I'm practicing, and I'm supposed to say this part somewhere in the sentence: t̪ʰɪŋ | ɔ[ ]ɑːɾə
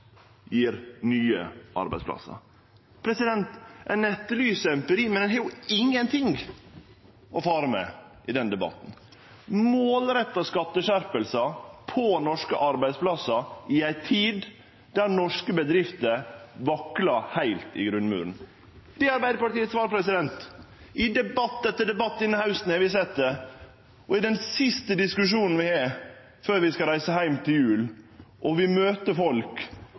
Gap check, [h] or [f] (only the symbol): f